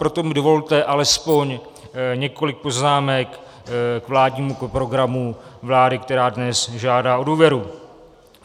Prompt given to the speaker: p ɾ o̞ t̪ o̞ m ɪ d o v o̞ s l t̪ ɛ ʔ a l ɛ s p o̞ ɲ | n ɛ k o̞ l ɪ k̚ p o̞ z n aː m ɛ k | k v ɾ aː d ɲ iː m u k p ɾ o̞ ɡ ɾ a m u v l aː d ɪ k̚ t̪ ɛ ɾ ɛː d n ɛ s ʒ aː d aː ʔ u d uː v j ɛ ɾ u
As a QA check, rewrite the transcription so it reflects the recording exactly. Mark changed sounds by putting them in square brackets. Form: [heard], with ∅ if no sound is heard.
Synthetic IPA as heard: p ɾ o̞ t̪ o̞ m ɪ d o v o̞ [∅] l t̪ ɛ ʔ a l ɛ s p o̞ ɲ | [ɲ] ɛ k o̞ l ɪ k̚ p o̞ z n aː m ɛ k | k v [l] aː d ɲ iː m u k p ɾ o̞ ɡ ɾ a m u v l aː d ɪ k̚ t̪ ɛ ɾ [aː] d n ɛ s ʒ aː d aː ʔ [o] d uː v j ɛ ɾ u